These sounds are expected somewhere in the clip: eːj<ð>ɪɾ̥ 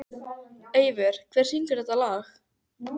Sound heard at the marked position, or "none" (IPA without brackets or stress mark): v